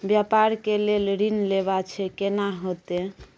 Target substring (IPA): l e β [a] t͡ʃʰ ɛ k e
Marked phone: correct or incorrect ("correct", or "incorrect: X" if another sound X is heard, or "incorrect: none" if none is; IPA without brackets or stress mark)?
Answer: correct